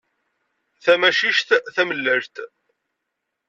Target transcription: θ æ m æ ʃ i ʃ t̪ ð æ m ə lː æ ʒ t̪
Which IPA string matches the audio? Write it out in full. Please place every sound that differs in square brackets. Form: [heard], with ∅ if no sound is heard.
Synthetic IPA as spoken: θ æ m æ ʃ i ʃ t̪ [θ] æ m ə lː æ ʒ t̪